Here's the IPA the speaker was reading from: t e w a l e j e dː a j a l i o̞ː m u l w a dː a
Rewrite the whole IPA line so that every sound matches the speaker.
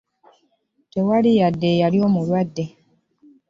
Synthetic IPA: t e w a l i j a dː e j a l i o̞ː m u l w a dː e